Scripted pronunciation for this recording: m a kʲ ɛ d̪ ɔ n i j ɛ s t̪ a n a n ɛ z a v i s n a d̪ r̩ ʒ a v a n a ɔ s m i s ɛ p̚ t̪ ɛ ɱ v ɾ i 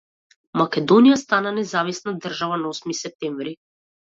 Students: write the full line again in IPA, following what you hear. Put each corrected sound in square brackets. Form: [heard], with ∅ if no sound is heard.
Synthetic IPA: m a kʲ ɛ d̪ ɔ n i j [a] s t̪ a n a n ɛ z a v i s n a d̪ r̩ ʒ a v a n a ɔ s m i s ɛ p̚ t̪ ɛ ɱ v ɾ i